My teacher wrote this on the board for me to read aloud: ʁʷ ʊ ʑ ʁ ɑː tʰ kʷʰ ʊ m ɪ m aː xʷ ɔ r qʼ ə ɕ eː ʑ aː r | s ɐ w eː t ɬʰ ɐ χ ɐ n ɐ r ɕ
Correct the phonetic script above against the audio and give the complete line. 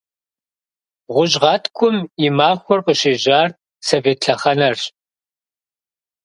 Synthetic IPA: ʁʷ ʊ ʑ ʁ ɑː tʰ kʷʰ ʊ m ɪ m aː xʷ ɔ r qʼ ə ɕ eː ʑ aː r | s ɐ v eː t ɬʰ ɐ χ ɐ n ɐ r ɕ